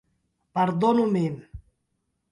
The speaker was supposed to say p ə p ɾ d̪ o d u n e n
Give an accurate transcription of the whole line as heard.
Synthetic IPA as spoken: p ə ɾ d̪ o n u m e m